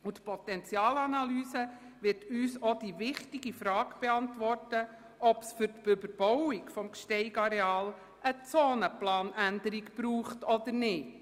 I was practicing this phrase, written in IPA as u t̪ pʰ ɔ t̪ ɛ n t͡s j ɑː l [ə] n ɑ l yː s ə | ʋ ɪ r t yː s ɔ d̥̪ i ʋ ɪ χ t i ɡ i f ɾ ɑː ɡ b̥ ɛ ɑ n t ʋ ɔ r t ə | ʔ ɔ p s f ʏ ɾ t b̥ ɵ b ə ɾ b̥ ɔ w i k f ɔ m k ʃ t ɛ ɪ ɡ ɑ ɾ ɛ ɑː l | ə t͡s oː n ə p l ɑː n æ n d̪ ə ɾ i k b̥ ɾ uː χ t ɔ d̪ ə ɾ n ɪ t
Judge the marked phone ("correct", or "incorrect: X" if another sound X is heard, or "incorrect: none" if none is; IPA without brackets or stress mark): incorrect: ɑ